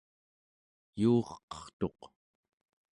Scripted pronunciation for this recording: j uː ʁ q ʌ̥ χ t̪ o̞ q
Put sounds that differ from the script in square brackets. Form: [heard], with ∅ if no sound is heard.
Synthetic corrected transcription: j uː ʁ q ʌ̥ χ t̪ o̞ q